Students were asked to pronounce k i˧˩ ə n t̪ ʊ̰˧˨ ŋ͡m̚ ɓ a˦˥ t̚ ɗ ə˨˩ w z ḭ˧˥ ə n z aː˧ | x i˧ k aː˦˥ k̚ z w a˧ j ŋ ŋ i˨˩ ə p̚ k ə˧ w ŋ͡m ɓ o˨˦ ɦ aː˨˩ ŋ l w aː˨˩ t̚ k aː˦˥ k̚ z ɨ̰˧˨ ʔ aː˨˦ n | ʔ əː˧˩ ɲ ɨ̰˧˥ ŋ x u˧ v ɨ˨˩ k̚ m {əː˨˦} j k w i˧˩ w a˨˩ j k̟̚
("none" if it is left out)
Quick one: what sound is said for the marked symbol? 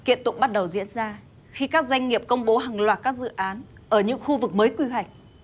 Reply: əː˨˦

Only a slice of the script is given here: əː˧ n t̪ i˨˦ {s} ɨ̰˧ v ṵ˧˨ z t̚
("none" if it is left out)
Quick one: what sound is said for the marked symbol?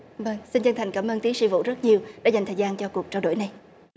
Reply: s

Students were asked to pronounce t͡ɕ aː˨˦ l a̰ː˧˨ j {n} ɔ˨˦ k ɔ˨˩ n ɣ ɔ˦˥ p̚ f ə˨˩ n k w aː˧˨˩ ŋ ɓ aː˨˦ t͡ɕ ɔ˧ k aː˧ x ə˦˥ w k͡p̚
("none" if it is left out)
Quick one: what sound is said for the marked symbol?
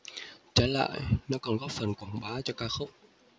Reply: n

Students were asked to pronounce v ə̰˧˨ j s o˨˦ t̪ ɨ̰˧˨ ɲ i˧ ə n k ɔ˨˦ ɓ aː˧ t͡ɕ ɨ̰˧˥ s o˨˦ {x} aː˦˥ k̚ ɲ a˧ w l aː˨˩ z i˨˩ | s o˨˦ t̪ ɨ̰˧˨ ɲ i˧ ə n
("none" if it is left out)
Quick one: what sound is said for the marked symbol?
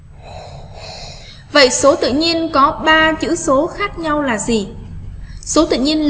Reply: x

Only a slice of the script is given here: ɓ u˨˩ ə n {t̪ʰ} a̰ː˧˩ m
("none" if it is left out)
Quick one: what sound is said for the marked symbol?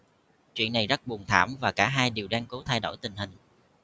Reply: t̪ʰ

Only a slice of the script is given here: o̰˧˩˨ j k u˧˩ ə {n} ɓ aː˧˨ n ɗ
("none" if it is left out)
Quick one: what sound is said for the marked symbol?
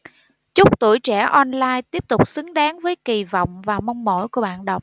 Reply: none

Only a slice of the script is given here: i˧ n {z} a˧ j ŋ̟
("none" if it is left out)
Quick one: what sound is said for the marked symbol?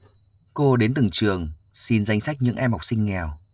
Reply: z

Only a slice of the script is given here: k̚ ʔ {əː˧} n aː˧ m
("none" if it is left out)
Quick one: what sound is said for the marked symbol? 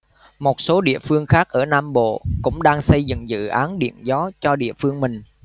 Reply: əː˧˩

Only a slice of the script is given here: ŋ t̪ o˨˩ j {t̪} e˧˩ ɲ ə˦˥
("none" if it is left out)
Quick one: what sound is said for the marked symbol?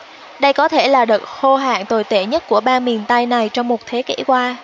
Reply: t̪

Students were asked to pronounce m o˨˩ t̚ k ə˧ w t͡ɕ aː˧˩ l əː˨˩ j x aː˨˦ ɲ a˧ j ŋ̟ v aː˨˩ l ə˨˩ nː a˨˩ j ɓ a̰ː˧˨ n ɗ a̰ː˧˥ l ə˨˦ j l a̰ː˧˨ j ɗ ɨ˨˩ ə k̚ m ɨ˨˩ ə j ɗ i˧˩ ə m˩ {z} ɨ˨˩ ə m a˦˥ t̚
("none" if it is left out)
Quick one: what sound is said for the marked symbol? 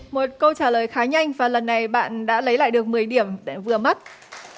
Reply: v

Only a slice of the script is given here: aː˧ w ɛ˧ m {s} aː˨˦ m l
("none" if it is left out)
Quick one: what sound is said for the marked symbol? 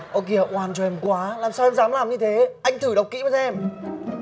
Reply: z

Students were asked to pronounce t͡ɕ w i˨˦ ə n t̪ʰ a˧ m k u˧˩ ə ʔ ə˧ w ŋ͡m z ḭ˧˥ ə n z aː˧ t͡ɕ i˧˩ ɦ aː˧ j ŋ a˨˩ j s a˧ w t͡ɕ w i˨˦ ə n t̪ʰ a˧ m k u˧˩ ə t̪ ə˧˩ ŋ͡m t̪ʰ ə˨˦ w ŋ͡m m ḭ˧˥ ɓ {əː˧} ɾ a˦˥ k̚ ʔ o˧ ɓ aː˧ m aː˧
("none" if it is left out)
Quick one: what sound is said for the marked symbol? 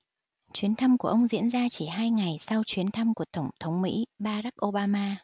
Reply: aː˧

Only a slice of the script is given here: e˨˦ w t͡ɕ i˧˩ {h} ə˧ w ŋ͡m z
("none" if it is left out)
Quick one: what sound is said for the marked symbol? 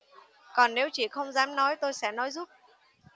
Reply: x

